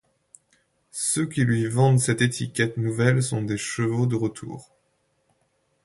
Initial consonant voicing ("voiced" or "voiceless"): voiceless